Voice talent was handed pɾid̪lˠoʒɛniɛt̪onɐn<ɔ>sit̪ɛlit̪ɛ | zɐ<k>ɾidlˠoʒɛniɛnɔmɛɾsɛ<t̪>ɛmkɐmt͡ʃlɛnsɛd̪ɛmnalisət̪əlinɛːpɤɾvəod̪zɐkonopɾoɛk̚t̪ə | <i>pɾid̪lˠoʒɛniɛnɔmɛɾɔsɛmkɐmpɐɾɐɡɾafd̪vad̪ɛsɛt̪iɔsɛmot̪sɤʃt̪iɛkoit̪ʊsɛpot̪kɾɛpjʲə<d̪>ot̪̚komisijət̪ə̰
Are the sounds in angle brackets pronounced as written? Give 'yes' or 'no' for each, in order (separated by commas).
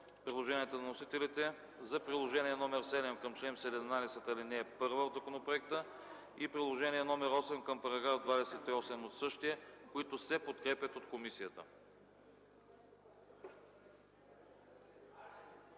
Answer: no, no, no, yes, no